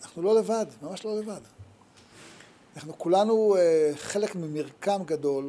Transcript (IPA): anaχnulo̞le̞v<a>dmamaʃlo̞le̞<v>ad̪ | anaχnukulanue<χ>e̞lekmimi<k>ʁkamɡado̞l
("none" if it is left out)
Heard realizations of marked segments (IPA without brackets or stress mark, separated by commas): a, v, χ, none